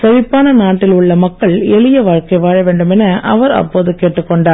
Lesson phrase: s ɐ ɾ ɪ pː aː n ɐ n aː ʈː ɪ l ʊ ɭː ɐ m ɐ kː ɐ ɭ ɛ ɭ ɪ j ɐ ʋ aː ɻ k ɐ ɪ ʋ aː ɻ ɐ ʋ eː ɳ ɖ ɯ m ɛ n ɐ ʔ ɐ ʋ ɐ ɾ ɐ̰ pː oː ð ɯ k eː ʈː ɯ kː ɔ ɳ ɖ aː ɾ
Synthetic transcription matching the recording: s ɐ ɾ ɪ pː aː n ɐ n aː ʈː ɪ l ʊ ɭː ɐ m ɐ kː ɐ ɭ ɛ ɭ ɪ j ɐ ʋ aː ɻ k ɐ ɪ ʋ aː ɻ ɐ ʋ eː ɳ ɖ ɯ m ɛ n ɐ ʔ ɐ ʋ ɐ ɾ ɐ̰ pː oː ð ɯ k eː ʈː ɯ kː ɔ ɳ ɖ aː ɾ